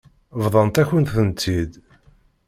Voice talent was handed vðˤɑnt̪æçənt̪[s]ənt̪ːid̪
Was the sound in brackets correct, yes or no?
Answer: no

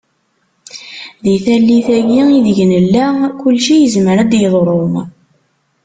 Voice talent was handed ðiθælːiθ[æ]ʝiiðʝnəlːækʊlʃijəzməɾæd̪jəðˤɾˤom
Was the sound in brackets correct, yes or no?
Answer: yes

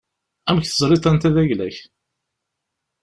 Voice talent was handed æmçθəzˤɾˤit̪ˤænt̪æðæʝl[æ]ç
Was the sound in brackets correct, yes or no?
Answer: yes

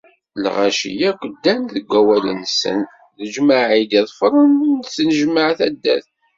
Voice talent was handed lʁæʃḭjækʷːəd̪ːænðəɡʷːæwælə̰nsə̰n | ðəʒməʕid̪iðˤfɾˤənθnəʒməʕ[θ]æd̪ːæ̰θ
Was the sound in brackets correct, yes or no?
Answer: yes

